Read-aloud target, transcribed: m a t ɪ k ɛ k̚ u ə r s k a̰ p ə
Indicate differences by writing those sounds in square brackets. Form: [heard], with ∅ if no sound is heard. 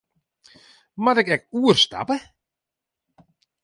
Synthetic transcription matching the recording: m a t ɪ k ɛ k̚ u ə r s [t] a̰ p ə